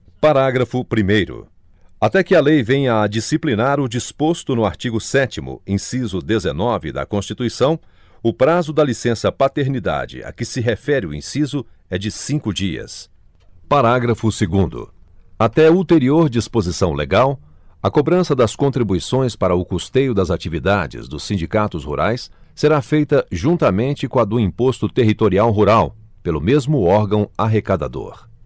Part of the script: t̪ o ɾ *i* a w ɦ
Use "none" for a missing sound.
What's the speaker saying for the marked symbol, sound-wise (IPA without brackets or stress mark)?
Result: i